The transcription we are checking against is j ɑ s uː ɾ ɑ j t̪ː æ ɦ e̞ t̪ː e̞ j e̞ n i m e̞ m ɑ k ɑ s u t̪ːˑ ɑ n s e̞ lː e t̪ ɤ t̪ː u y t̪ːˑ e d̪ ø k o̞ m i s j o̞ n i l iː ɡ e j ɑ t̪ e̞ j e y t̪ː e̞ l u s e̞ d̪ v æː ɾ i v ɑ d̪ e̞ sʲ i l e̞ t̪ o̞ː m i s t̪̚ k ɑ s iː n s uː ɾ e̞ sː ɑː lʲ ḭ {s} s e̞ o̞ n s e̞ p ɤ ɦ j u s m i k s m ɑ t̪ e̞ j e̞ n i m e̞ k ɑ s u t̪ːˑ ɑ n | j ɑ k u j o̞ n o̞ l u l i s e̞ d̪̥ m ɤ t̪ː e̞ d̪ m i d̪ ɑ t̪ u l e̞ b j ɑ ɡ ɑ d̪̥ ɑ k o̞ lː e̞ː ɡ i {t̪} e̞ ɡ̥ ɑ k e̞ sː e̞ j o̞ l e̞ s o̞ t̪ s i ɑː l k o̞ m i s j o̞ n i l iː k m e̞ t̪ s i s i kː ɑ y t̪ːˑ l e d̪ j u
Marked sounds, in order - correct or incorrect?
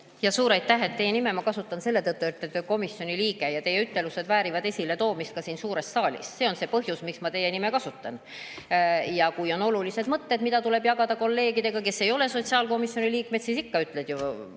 correct, incorrect: d̪

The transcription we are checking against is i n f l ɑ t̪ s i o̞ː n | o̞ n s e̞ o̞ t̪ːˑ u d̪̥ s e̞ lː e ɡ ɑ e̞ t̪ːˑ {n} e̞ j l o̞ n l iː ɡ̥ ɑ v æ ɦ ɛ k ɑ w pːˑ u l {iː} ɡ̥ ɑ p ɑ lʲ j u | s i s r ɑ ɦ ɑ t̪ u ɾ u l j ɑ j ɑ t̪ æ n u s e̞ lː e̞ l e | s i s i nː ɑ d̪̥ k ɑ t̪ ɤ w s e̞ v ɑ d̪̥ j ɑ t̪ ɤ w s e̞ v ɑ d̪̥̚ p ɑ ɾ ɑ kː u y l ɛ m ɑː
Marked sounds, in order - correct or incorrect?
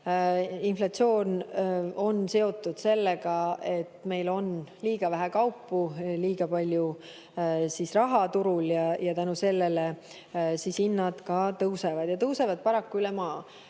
incorrect: m, correct

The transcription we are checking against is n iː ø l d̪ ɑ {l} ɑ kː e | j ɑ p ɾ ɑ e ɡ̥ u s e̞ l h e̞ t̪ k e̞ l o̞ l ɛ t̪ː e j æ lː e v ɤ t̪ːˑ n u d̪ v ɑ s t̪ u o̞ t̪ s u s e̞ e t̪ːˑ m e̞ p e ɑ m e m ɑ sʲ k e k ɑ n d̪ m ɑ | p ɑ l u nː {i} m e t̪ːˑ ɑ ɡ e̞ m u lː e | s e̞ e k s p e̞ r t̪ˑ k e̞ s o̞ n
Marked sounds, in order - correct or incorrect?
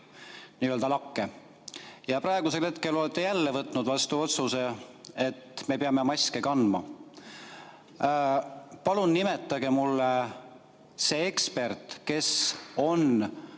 correct, correct

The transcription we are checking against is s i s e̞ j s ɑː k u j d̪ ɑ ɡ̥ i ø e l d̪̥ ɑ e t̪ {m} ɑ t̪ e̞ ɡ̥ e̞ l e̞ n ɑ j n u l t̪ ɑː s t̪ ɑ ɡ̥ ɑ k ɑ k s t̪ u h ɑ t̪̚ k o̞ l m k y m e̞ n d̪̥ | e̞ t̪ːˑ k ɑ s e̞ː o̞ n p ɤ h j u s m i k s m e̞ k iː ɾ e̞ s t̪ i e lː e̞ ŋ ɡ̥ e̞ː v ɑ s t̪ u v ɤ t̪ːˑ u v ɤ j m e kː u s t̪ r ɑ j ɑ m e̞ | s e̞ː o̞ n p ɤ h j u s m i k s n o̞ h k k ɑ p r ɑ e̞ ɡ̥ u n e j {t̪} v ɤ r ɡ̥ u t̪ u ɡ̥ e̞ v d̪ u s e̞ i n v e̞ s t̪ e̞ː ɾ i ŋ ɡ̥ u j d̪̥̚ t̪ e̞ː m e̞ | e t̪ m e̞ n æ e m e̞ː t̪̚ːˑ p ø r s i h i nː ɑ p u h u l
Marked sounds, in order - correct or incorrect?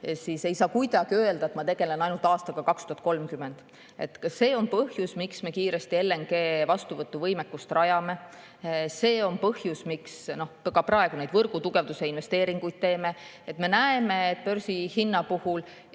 correct, incorrect: d̪

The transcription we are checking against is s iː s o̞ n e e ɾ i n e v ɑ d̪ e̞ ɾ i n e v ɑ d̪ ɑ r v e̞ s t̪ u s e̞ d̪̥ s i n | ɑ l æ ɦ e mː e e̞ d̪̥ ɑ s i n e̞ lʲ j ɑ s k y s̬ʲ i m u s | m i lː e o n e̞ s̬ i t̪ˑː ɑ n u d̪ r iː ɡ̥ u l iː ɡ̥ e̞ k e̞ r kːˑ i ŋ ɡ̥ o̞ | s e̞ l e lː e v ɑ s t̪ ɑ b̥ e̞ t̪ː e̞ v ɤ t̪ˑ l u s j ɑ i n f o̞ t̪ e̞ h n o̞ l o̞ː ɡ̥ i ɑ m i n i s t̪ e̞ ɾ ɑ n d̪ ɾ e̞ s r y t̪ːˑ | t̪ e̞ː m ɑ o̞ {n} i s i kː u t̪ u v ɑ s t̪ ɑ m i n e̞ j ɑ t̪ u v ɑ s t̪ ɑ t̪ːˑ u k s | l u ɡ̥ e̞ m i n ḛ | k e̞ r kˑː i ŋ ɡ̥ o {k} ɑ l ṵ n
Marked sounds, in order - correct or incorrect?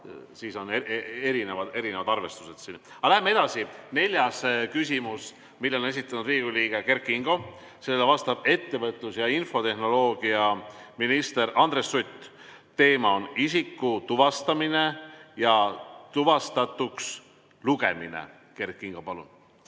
correct, incorrect: p

